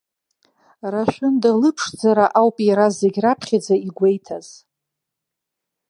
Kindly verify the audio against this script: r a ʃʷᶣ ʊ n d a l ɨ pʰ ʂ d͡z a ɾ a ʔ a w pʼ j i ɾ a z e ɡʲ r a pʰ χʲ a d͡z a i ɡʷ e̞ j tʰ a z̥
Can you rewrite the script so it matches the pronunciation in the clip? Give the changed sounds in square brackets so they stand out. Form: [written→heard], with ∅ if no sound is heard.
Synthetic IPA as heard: r a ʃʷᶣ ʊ n d a l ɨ pʰ ʂ d͡z a ɾ a ʔ a w pʼ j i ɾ a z e ɡʲ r a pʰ χʲ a d͡z a i ɡʷ e̞ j tʰ a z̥